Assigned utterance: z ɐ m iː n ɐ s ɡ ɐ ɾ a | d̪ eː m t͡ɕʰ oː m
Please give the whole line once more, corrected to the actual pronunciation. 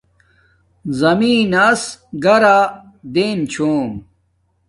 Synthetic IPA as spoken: z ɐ m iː n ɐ s ɡ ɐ ɾ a | d̪ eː n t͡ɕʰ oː m